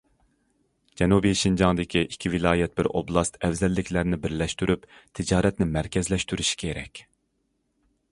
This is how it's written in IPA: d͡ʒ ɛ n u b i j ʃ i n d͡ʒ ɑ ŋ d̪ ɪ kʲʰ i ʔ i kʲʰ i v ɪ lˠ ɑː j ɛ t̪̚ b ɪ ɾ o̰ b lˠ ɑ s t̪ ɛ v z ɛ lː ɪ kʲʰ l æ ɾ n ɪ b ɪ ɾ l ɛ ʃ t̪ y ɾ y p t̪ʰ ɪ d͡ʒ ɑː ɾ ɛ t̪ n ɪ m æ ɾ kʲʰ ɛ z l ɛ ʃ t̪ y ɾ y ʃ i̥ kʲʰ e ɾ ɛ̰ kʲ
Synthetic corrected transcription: d͡ʒ ɛ n u b i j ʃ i n d͡ʒ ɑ ŋ d̪ ɪ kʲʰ i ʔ i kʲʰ i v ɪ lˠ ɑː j ɛ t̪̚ b ɪ ɾ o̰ b lˠ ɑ s t̪ ɛ v z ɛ lː ɪ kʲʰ l æ ɾ n ɪ b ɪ ɾ l ɛ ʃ t̪ y ɾ y p t̪ʰ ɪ d͡ʒ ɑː ɾ ɛ t̪ n ɪ m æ ɾ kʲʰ ɛ z l ɛ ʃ t̪ y ɾ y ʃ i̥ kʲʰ e ɾ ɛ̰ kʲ